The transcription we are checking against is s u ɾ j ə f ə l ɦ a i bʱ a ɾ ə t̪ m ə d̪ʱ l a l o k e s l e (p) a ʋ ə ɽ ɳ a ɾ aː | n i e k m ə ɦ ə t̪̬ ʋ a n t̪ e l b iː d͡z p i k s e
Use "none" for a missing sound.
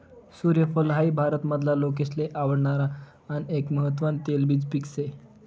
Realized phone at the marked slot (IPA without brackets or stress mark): ʔ